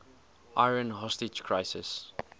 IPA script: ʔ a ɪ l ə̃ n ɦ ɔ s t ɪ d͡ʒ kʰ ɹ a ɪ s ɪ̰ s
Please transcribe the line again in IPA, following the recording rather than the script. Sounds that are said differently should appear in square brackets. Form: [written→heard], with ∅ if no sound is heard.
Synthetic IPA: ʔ a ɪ [l→ɹ] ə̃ n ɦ ɔ s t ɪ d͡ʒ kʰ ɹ a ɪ s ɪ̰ s